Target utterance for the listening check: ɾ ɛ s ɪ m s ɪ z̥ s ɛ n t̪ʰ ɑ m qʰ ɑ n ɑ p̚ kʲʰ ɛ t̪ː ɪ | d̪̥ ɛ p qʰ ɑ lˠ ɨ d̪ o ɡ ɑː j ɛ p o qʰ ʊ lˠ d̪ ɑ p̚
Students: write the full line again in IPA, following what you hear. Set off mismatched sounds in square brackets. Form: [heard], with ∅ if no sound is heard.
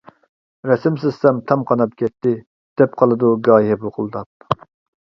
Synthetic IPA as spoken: ɾ ɛ s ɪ m s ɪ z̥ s ɛ [m] t̪ʰ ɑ m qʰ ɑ n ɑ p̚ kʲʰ ɛ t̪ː ɪ | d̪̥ ɛ p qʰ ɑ lˠ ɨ d̪ [u] ɡ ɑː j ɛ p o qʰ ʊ lˠ d̪ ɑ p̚